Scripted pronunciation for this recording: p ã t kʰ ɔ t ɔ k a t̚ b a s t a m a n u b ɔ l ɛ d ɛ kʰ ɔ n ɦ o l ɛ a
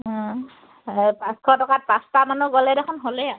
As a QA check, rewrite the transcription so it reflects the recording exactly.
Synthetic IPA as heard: p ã s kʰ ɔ t ɔ k a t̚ p a s t a m a n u ɡ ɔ l ɛ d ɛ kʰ ɔ n ɦ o l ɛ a